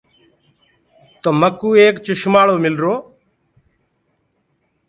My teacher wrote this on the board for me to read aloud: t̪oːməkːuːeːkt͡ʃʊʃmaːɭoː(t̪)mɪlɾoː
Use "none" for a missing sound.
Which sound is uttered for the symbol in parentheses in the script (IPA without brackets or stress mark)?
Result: none